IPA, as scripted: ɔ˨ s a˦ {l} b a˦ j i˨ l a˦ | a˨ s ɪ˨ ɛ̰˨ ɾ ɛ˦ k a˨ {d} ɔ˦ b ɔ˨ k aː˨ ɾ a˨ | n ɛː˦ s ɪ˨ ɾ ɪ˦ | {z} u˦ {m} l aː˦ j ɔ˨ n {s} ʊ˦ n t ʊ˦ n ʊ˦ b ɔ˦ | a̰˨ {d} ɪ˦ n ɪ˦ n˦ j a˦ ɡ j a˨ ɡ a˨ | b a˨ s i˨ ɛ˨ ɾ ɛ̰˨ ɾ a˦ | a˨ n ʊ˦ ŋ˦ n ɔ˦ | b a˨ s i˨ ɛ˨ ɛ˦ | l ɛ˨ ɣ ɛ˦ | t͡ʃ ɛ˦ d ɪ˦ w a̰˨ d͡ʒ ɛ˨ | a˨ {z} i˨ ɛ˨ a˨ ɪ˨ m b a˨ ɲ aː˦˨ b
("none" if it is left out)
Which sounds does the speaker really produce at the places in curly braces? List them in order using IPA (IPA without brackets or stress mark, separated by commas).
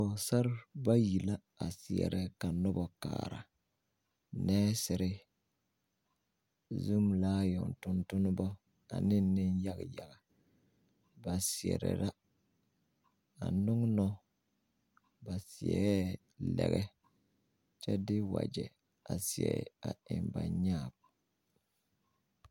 ɾ, n, z, m, t, n, s